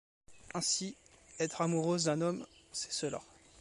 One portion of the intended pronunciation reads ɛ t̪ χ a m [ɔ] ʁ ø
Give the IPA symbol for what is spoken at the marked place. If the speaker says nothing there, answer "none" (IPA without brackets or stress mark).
u